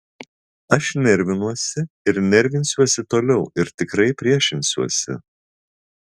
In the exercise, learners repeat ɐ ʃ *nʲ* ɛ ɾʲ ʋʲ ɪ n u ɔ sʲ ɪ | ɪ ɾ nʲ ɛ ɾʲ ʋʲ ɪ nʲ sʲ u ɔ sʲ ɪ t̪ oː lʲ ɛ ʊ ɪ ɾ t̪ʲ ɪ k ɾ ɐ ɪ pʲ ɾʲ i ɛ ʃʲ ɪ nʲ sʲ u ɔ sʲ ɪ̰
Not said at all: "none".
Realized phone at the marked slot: nʲ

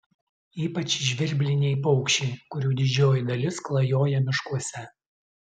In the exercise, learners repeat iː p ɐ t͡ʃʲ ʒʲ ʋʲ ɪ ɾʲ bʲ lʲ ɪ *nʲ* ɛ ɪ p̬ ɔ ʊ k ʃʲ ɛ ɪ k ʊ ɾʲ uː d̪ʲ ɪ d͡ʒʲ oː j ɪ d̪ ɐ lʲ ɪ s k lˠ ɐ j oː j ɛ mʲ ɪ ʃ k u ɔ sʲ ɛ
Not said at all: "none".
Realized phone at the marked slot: nʲ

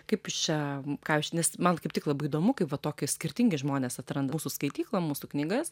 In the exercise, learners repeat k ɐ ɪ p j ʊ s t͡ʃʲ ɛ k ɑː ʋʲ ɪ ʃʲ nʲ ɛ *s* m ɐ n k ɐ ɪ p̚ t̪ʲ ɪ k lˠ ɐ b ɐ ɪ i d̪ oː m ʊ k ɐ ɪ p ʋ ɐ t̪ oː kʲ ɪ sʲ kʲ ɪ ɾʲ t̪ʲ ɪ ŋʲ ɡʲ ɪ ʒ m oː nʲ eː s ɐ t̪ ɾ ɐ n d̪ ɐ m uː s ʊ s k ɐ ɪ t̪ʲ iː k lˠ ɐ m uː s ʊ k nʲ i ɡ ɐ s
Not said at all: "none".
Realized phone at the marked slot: s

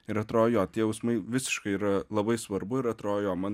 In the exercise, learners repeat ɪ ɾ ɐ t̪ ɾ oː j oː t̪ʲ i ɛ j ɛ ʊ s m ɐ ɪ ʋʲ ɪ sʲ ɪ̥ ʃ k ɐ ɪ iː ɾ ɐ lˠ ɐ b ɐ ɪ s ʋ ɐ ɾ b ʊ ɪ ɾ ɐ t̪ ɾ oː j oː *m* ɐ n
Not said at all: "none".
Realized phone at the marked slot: m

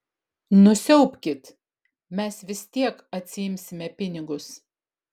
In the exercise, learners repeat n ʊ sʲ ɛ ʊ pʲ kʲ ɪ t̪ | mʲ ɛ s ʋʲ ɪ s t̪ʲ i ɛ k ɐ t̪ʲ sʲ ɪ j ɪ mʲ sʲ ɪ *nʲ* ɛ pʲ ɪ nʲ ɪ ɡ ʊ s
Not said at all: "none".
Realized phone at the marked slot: mʲ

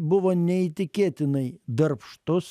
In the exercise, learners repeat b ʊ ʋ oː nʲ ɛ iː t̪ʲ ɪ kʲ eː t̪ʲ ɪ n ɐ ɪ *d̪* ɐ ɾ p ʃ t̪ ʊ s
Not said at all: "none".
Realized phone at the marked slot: d̪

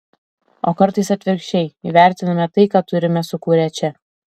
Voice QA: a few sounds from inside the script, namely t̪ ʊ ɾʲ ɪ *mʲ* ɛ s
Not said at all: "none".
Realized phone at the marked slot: mʲ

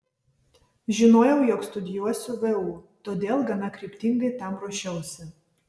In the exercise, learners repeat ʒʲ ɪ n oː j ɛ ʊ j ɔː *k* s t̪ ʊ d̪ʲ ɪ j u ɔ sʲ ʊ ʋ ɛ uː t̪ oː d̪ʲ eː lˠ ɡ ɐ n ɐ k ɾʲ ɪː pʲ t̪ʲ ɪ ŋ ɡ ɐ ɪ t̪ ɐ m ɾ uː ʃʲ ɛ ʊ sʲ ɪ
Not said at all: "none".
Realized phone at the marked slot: k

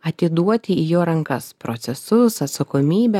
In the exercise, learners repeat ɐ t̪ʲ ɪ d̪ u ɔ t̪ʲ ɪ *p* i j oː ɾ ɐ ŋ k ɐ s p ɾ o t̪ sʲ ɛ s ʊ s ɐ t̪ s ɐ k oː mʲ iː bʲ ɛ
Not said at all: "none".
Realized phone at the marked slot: none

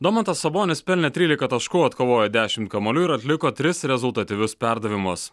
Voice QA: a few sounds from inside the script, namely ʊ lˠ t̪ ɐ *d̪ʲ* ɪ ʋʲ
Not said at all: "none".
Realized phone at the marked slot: t̪ʲ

